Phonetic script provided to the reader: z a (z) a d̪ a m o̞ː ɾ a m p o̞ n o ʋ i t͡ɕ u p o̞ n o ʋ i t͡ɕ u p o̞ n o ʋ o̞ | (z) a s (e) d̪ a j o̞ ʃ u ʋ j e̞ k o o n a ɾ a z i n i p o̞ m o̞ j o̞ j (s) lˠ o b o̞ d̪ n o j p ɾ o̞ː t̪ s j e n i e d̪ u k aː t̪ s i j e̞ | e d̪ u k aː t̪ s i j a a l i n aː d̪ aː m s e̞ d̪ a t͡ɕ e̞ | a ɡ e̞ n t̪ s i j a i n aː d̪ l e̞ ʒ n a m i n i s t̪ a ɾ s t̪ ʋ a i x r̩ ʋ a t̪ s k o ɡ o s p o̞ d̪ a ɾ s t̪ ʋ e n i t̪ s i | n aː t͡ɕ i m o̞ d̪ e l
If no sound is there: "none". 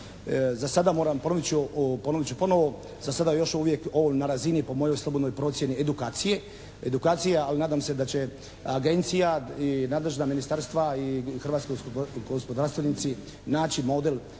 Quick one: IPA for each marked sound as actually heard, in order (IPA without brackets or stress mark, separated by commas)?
s, z, a, s